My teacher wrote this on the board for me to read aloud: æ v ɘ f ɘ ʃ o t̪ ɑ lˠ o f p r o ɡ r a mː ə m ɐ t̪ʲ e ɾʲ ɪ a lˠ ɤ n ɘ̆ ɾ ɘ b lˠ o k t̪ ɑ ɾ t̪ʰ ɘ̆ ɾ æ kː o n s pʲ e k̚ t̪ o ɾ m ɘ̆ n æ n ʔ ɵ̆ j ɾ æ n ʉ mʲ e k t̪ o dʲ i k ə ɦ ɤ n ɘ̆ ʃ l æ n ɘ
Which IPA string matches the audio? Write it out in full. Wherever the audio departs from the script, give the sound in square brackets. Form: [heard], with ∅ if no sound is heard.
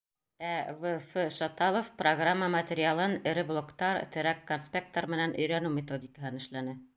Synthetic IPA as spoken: æ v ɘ f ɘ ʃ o t̪ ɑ lˠ o f p r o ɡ r a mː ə m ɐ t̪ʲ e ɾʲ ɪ a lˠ ɤ n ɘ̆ ɾ ɘ b lˠ o k t̪ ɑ ɾ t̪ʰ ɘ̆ ɾ æ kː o n s pʲ e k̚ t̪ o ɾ m ɘ̆ n æ n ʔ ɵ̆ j ɾ æ n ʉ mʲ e [∅] t̪ o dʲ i k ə ɦ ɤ n ɘ̆ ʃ l æ n ɘ